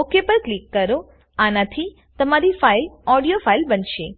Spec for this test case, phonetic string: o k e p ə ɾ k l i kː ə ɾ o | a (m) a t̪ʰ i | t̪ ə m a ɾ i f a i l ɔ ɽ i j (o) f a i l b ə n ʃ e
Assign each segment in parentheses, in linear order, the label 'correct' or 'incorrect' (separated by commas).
incorrect, correct